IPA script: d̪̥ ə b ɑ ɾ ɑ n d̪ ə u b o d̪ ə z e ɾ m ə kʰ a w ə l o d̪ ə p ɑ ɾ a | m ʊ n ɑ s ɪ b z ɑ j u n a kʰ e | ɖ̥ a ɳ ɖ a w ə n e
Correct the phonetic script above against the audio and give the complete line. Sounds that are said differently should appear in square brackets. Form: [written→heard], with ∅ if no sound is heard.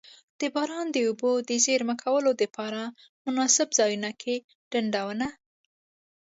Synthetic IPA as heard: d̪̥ ə b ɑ ɾ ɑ n d̪ ə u b o d̪ ə z e ɾ m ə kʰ a w ə l o d̪ ə p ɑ ɾ a | m ʊ n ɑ s ɪ b z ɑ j u n a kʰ e | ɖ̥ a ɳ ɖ a w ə n [e→a]